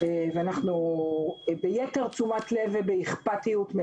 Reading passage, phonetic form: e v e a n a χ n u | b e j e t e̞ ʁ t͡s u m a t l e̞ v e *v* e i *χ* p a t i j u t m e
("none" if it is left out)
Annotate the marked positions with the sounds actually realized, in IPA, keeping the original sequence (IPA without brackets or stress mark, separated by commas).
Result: b, χ